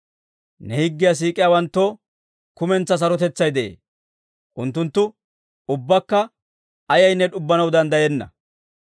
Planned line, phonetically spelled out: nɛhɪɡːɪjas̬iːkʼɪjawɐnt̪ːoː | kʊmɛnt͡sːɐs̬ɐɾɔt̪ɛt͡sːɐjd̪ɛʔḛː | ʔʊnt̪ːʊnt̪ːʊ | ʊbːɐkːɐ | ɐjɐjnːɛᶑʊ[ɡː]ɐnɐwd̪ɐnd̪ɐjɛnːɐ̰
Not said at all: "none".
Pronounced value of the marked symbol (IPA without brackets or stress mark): bː